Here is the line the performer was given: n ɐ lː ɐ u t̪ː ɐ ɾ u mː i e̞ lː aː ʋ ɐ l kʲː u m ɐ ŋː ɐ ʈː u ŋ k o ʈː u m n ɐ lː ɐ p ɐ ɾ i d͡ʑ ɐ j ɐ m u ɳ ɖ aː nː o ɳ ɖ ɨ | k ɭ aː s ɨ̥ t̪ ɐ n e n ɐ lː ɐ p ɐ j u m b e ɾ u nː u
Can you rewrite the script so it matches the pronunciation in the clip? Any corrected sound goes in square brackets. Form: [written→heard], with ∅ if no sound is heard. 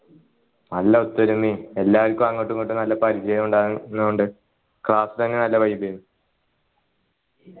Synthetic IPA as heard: n ɐ lː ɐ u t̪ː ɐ ɾ u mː i e̞ lː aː ʋ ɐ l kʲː u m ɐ ŋː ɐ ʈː u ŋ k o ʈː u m n ɐ lː ɐ p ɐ ɾ i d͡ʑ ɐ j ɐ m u ɳ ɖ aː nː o ɳ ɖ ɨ | k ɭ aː s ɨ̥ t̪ ɐ [n→nː] e n ɐ lː ɐ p ɐ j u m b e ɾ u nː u